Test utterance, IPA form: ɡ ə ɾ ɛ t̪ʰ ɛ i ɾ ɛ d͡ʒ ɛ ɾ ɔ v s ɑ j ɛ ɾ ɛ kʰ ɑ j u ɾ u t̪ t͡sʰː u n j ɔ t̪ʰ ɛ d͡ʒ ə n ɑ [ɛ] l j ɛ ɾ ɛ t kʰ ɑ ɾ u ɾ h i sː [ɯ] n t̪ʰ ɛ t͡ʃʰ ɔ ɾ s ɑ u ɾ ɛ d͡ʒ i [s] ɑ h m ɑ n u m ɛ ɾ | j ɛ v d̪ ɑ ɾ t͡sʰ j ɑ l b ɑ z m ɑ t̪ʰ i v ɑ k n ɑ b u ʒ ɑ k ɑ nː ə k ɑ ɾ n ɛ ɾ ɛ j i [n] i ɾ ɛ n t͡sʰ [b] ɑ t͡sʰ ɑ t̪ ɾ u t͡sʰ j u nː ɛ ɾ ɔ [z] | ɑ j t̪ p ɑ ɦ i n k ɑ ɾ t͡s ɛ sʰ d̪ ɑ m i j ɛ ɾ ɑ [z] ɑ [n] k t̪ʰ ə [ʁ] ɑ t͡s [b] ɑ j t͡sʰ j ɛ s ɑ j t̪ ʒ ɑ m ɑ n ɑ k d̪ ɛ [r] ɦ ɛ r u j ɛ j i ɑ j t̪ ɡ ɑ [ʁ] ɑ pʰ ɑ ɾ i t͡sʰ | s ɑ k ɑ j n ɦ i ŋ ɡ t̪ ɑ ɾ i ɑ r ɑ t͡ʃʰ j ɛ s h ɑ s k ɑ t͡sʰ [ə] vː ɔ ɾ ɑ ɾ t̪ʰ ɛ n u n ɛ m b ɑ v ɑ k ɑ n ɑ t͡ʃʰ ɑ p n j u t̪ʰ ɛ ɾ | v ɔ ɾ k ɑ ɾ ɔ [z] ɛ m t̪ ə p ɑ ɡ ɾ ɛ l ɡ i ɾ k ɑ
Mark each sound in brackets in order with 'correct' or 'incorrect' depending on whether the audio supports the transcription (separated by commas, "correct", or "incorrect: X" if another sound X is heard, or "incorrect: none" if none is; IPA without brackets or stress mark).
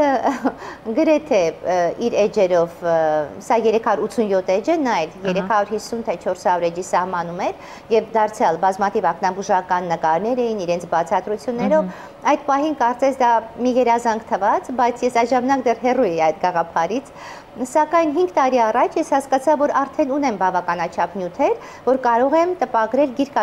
correct, incorrect: u, correct, correct, correct, incorrect: v, correct, incorrect: ŋ, incorrect: v, correct, correct, correct, incorrect: ɑ, incorrect: ʁ